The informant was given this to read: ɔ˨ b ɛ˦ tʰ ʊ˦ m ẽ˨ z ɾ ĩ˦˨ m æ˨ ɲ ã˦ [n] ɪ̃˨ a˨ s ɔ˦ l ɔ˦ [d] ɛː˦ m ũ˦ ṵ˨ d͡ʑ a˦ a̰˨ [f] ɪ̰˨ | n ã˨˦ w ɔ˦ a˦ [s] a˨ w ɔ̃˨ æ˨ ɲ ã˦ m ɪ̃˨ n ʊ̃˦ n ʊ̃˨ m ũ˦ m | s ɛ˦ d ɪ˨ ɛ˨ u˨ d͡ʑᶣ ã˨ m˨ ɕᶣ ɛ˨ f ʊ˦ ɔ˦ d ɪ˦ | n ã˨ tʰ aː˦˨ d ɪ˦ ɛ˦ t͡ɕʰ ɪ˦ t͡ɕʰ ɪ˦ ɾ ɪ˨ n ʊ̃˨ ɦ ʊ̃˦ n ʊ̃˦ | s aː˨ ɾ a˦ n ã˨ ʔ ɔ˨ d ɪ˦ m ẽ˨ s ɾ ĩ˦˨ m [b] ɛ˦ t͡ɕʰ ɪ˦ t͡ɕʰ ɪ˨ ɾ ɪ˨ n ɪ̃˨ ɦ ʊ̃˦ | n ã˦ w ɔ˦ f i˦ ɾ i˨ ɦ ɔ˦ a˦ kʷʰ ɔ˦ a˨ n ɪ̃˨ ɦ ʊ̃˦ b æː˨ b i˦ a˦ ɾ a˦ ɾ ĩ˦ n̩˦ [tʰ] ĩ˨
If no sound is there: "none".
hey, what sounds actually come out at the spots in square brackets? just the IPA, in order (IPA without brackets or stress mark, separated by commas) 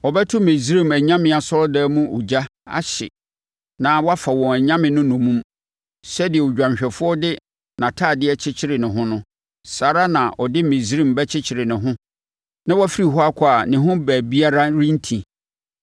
m, d, ɕ, f, b, tʰ